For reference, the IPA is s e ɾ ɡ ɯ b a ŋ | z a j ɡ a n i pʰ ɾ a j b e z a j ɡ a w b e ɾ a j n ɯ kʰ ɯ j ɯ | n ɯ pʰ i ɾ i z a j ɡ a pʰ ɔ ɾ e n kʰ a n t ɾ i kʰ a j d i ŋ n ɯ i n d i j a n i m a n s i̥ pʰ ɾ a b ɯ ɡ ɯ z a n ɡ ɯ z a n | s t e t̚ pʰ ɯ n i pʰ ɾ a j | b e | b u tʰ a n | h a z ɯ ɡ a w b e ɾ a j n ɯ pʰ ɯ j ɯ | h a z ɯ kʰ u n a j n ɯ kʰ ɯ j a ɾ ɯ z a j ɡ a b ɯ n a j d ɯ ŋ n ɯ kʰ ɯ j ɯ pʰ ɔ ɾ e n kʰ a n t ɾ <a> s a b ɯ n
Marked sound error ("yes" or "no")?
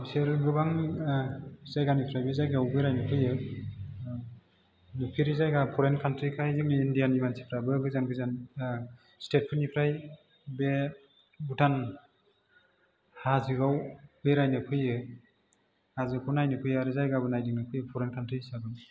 yes